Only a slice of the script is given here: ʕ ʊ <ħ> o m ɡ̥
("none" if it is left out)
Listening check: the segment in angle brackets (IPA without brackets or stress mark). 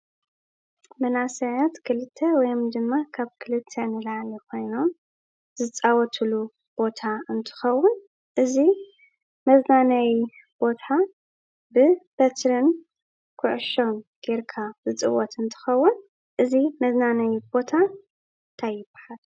ʃ